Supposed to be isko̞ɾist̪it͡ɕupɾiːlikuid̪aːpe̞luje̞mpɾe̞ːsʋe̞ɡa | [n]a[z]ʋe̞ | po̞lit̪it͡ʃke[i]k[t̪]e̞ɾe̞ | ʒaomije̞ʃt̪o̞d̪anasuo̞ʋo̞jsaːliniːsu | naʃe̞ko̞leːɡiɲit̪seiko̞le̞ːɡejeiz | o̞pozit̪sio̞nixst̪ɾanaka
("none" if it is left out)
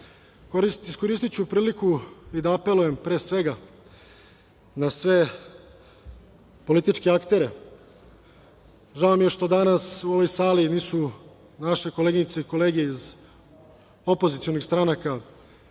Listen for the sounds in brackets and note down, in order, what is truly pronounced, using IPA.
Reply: n, s, a, t̪

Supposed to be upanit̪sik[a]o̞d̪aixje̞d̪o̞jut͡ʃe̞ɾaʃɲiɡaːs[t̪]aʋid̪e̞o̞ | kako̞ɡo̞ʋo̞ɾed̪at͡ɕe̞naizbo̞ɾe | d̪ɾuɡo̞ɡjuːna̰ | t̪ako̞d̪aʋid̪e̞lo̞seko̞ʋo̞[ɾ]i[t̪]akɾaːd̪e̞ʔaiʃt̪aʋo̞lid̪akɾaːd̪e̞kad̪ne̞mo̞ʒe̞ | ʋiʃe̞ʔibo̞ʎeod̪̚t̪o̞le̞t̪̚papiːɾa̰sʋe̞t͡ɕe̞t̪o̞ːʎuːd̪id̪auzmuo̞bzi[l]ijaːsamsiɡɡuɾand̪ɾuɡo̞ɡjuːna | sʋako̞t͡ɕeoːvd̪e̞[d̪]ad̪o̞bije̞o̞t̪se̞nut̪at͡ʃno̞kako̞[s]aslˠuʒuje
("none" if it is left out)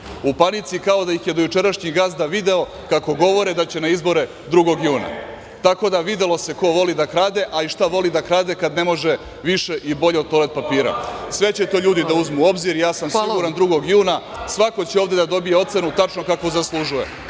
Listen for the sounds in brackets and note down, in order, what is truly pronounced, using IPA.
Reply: a, d̪, l, d̪, ɾ, d̪, z

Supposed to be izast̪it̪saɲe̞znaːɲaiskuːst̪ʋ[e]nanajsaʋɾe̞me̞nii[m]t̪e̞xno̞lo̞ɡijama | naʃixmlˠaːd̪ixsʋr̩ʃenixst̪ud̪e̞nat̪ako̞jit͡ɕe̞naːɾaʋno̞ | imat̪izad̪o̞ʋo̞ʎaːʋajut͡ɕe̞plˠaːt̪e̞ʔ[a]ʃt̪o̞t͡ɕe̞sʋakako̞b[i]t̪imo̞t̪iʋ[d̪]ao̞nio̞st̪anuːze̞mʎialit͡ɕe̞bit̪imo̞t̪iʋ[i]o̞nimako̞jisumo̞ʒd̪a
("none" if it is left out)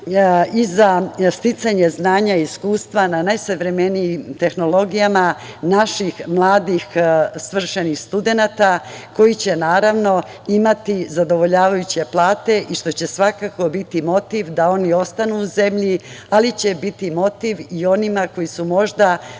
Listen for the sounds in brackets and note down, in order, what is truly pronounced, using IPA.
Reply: a, m, i, i, d̪, i

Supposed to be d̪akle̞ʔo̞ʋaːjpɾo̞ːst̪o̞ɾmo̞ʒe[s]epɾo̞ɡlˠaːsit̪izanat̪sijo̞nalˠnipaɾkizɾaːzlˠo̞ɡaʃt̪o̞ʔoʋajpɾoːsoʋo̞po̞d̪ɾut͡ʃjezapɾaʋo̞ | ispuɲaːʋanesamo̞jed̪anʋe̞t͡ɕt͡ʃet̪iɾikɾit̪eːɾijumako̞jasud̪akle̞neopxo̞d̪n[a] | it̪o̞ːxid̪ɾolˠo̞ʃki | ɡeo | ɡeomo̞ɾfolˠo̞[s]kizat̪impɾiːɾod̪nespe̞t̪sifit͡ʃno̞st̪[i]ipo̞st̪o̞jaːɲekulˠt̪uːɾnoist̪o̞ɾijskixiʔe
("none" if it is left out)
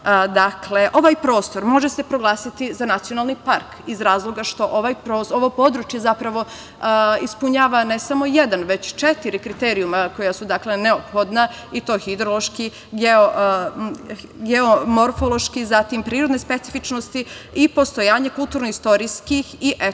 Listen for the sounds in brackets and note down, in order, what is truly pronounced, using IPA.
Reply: s, a, ʃ, i

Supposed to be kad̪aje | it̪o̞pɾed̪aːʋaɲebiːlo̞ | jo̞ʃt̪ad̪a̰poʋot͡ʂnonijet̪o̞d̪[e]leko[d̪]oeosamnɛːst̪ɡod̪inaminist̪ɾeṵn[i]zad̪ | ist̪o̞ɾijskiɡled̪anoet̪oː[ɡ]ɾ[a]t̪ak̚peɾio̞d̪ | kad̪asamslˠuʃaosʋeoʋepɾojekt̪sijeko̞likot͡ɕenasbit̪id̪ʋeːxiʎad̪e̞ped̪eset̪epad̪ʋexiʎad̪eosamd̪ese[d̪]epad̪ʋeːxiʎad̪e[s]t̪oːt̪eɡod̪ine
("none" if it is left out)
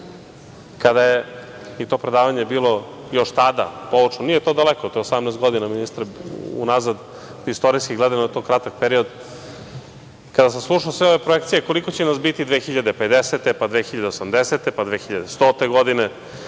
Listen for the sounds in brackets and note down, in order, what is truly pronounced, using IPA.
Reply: a, t̪, a, k, a, t̪, s

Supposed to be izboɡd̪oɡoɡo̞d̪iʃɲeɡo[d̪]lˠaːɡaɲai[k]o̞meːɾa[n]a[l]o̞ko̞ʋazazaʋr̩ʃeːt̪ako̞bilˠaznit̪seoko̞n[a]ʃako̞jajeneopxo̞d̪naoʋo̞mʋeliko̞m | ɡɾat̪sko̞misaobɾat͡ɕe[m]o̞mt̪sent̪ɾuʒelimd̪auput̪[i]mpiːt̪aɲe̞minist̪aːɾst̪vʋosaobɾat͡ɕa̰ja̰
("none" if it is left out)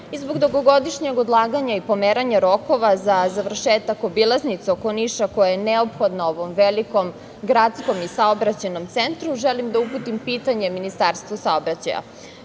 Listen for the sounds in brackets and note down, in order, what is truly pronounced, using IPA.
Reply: d̪, p, ɲ, ɾ, i, n, i

